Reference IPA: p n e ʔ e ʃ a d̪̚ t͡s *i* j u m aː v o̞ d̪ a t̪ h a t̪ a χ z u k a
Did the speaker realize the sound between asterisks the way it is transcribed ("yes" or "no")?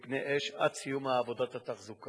yes